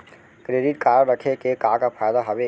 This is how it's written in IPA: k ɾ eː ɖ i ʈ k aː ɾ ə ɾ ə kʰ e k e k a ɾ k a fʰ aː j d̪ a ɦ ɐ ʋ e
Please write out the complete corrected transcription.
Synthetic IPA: k ɾ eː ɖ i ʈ k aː ɾ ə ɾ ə kʰ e k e k a k a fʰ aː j d̪ a ɦ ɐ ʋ e